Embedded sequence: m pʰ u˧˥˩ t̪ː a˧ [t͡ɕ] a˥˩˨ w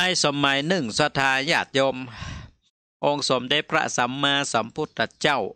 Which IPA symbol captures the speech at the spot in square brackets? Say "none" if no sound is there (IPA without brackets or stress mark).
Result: t͡ɕ